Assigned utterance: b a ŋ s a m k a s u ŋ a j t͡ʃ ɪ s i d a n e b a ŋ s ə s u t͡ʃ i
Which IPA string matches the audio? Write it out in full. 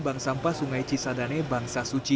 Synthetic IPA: b a ŋ s a m p a s u ŋ a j t͡ʃ i s a d a n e b a ŋ s a s u t͡ʃ i